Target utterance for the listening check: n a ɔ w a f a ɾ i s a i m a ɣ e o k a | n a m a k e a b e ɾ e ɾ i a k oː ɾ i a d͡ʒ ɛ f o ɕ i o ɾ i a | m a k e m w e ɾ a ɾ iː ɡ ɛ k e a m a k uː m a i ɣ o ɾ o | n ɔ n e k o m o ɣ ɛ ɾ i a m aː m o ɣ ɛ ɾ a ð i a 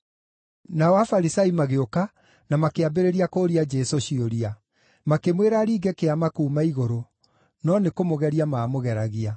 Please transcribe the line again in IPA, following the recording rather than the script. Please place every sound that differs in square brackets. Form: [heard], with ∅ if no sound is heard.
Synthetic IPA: n a ɔ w a f a ɾ i s a i m a ɣ e o k a | n a m a k e a b e ɾ e ɾ i a k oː ɾ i a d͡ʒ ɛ [s] o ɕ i o ɾ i a | m a k e m w e ɾ a ɾ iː ɡ ɛ k e a m a k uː m a i ɣ o ɾ o | n ɔ n e k o m o ɣ ɛ ɾ i a m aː m o ɣ ɛ ɾ a [ɣ] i a

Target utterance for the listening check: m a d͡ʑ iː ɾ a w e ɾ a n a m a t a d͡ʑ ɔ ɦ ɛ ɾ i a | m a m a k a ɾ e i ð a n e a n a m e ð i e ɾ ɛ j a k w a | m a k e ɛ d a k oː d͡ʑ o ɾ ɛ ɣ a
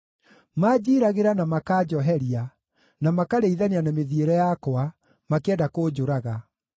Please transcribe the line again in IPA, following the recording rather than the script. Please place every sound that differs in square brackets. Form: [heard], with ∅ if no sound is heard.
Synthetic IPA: m a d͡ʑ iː ɾ a [ɣ] e ɾ a n a m a [k] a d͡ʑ ɔ ɦ ɛ ɾ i a | [n] a m a k a ɾ e i ð a n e a n a m e ð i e ɾ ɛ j a k w a | m a k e ɛ d a k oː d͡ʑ o ɾ [a] ɣ a

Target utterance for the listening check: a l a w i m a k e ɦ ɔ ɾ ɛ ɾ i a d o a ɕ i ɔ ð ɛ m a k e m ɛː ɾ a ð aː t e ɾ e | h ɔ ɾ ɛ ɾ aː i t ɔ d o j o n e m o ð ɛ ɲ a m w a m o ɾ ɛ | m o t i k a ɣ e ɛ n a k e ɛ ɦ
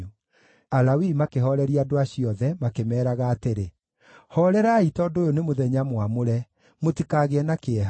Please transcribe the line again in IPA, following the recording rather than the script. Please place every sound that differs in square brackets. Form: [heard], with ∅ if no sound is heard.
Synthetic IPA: a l a w i m a k e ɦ ɔ ɾ ɛ ɾ i a d o a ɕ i ɔ ð ɛ m a k e m ɛː ɾ a [ɣ] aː t e ɾ e | h ɔ ɾ ɛ ɾ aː i t ɔ d o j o n e m o ð ɛ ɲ a m w a m o ɾ ɛ | m o t i k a ɣ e ɛ n a k e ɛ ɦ

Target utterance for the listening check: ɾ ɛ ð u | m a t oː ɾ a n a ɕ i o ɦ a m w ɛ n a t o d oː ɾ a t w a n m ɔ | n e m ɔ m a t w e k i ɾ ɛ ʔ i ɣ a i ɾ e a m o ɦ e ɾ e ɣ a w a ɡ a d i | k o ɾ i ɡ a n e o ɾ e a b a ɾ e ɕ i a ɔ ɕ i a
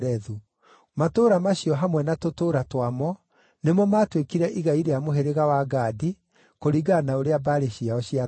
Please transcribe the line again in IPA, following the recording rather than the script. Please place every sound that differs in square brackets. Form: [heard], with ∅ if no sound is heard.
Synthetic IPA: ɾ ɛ ð u | m a t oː ɾ a [m] a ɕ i [ɔ] ɦ a m w ɛ n a t o [t] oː ɾ a t w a [∅] m ɔ | n e m ɔ m a t w e k i ɾ ɛ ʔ i ɣ a i ɾ e a m o ɦ e ɾ e ɣ a w a ɡ a d i | k o ɾ i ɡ a n [a] o ɾ e a b a ɾ e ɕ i a ɔ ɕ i a

